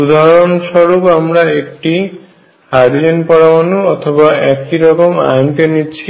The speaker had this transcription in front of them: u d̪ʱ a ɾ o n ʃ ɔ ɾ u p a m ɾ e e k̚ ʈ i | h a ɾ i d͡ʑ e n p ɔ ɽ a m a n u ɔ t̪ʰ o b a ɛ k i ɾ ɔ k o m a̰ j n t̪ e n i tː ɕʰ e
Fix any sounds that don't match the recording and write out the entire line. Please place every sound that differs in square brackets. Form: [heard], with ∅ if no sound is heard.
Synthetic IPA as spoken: u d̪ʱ a ɾ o n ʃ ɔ ɾ u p a m ɾ [a] e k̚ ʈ i | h a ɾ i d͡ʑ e n p ɔ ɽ a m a n u ɔ t̪ʰ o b a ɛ k i ɾ ɔ k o m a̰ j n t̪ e n i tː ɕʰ [i]